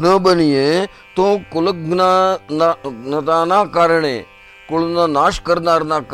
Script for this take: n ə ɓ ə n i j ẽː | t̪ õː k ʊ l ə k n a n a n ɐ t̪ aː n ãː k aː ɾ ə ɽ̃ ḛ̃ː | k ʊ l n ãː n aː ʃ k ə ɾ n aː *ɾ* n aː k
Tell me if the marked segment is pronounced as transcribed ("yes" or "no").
yes